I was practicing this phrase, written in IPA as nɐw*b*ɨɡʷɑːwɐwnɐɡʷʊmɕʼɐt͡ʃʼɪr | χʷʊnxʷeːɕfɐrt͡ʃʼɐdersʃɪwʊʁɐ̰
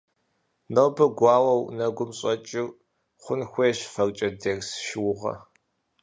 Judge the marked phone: correct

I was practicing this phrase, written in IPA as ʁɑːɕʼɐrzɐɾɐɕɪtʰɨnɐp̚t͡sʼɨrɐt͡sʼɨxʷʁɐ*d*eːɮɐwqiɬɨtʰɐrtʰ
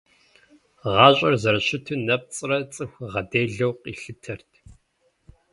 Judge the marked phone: correct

